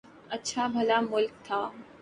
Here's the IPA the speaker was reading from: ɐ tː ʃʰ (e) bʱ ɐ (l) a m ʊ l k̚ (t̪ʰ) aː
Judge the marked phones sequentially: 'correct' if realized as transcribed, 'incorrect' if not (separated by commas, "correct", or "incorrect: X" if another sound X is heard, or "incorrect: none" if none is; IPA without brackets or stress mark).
incorrect: a, correct, correct